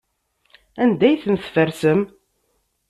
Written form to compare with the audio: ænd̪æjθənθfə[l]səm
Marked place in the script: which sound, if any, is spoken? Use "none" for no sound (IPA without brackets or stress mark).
ɾ